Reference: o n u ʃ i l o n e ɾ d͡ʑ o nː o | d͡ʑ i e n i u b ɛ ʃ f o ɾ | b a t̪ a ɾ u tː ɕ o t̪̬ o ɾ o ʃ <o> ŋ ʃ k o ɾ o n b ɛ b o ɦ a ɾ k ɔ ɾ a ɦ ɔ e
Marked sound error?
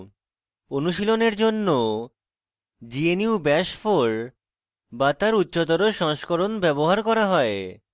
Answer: yes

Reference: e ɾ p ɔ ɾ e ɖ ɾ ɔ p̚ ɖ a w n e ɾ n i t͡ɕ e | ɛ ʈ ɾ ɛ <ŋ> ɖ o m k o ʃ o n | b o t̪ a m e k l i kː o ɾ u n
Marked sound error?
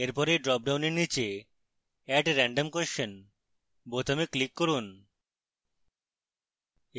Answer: yes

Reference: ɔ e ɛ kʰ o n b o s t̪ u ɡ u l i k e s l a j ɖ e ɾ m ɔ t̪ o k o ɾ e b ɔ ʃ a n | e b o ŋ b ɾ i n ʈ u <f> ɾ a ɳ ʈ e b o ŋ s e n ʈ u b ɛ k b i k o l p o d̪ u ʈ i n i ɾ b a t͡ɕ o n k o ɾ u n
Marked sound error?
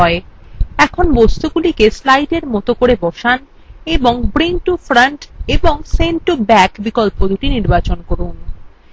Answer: no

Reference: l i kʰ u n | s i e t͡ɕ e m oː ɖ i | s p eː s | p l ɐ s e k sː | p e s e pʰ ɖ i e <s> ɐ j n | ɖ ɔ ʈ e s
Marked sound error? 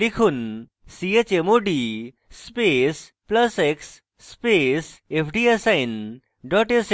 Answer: no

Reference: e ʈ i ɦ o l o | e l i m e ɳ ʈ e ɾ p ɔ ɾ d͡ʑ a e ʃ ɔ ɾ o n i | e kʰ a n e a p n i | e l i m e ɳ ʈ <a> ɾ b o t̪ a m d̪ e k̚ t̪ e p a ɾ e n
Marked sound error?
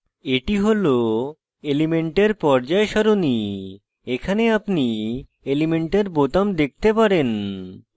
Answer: yes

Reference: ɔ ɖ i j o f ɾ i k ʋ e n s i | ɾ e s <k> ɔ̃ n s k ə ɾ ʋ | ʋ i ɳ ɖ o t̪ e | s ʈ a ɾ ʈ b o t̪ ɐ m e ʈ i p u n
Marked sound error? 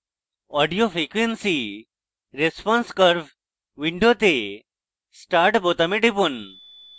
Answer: yes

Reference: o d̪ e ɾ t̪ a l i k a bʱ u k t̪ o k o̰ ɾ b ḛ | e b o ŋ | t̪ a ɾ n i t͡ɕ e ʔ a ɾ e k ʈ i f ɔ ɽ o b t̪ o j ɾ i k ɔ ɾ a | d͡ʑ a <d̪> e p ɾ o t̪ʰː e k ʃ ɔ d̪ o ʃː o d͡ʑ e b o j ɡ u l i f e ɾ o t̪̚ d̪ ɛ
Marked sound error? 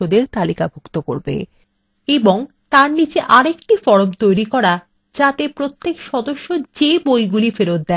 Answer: yes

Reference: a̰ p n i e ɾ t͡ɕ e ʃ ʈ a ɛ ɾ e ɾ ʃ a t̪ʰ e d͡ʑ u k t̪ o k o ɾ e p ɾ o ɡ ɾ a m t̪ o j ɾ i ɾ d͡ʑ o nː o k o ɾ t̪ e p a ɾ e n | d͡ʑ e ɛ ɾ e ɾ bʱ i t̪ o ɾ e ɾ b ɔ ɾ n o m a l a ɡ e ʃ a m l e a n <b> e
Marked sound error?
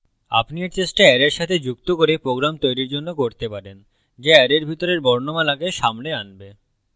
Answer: no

